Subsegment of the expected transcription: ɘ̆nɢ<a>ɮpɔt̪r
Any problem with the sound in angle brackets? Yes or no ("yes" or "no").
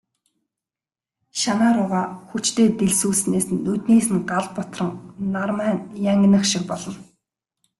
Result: no